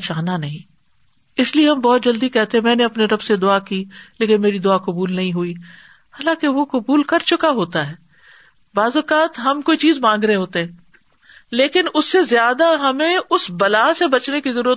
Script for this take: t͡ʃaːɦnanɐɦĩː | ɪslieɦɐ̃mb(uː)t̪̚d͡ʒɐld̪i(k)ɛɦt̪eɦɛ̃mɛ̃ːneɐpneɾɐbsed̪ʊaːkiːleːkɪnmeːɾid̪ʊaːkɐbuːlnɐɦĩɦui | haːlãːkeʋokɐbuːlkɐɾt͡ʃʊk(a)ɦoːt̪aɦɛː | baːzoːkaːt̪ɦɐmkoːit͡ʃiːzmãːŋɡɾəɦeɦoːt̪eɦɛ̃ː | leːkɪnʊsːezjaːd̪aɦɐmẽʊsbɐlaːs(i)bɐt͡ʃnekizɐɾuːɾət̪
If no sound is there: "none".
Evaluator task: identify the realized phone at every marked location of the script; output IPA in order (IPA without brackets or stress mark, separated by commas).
ɔː, k, a, e